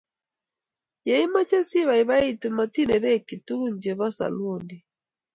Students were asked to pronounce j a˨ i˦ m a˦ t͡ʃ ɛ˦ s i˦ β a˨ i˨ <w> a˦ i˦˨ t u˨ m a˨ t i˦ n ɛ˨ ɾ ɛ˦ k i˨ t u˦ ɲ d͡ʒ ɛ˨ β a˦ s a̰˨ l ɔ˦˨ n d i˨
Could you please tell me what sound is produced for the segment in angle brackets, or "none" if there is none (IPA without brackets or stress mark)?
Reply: β